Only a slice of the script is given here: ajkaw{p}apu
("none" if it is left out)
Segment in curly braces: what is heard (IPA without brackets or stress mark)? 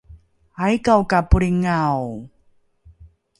k